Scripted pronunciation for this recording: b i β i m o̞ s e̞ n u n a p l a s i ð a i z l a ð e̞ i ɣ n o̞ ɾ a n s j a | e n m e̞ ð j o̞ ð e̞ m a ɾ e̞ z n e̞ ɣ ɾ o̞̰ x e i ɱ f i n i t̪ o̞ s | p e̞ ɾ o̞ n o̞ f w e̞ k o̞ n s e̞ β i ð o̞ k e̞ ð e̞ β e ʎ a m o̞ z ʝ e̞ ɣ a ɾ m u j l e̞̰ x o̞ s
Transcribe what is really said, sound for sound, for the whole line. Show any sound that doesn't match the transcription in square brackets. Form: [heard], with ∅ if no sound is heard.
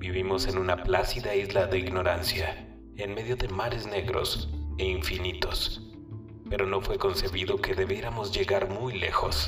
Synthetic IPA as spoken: b i β i m o̞ s e̞ n u n a p l a s i ð a i z l a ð e̞ i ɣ n o̞ ɾ a n s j a | e n m e̞ ð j o̞ ð e̞ m a ɾ e̞ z n e̞ ɣ ɾ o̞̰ [s] e i ɱ f i n i t̪ o̞ s | p e̞ ɾ o̞ n o̞ f w e̞ k o̞ n s e̞ β i ð o̞ k e̞ ð e̞ β e [ɾ] a m o̞ z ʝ e̞ ɣ a ɾ m u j l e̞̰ x o̞ s